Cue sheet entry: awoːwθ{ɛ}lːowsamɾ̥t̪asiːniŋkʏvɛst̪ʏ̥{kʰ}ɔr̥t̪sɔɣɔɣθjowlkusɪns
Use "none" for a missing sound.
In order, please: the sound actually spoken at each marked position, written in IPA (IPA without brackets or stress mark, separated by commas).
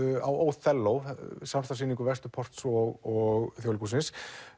ɛ, pʰ